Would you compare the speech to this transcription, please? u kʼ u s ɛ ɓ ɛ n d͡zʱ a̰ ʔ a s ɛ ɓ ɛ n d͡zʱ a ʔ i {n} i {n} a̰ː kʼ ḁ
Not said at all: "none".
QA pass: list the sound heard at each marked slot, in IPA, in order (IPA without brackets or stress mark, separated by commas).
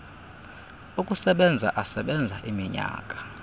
m, ɲ